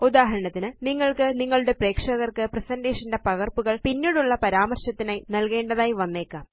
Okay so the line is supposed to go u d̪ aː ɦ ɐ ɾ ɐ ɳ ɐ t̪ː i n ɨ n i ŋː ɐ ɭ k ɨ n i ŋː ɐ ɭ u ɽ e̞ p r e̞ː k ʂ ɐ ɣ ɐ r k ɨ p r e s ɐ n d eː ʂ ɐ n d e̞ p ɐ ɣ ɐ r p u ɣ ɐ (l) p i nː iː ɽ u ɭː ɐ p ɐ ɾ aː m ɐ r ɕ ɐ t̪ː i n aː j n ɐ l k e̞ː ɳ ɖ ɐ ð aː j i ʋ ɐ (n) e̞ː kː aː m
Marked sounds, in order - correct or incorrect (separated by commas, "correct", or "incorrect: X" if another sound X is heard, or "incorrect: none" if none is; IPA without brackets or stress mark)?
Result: incorrect: ɭ, incorrect: nː